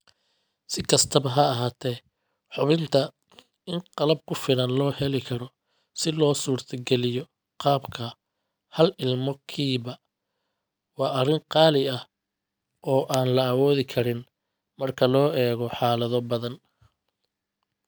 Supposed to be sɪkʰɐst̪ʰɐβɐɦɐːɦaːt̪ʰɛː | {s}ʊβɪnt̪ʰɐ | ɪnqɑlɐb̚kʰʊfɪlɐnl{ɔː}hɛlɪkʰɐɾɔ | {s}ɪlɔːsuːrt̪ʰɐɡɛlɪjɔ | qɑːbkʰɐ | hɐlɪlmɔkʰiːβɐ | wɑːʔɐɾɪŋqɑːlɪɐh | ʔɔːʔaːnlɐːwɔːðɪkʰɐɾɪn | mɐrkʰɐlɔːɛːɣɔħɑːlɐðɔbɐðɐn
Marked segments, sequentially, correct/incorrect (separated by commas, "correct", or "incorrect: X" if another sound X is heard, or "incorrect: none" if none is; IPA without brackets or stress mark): incorrect: ħ, correct, correct